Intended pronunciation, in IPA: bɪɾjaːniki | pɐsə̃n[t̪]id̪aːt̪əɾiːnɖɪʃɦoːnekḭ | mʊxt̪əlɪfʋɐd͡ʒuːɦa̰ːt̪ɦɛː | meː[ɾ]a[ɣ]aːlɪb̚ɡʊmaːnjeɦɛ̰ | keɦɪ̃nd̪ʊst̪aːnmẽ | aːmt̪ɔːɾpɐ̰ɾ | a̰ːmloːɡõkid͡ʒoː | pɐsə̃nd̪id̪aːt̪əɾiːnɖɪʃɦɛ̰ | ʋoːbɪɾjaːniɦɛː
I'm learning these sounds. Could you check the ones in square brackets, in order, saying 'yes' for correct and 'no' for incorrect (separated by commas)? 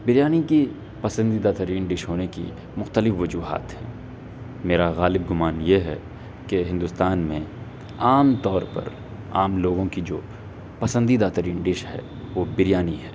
no, yes, yes